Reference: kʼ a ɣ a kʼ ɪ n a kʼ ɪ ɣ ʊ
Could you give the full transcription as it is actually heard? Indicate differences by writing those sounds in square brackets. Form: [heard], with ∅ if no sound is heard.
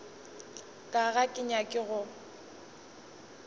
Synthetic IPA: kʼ a ɣ a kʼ ɪ [ɲ] a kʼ ɪ ɣ ʊ